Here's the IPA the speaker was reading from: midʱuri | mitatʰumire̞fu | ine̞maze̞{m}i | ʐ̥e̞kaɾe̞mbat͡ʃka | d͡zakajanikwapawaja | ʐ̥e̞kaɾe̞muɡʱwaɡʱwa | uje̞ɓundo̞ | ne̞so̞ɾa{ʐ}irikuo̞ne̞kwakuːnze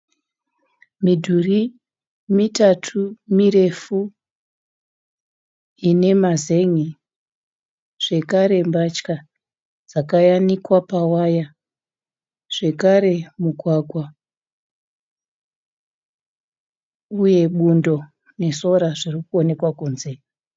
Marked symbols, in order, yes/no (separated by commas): no, yes